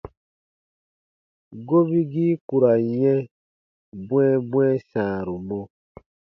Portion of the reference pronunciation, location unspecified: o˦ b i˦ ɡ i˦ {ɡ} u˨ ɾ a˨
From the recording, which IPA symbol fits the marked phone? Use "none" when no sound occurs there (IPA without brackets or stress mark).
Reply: k